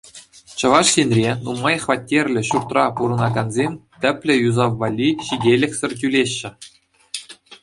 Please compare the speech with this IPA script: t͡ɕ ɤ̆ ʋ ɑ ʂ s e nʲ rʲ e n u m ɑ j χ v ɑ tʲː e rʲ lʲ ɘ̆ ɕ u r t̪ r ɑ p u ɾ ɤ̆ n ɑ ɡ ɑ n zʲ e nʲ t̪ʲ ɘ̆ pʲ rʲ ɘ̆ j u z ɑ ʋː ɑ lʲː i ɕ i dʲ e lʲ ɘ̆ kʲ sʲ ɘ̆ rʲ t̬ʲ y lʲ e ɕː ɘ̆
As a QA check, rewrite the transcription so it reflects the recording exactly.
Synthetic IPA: t͡ɕ ɤ̆ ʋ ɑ ʂ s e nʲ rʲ e n u m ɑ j χ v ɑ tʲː e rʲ lʲ ɘ̆ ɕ u r t̪ r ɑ p u ɾ ɤ̆ n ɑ ɡ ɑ n zʲ e mʲ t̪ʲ ɘ̆ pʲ lʲ ɘ̆ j u z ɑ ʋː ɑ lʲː i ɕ i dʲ e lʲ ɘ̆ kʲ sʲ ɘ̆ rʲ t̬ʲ y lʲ e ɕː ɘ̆